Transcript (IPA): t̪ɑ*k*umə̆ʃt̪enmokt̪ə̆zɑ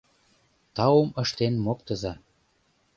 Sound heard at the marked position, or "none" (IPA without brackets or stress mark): none